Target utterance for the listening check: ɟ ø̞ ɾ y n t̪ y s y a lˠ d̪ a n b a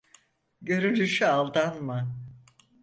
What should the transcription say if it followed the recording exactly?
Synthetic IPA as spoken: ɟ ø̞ ɾ y n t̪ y ʃ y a lˠ d̪ a n m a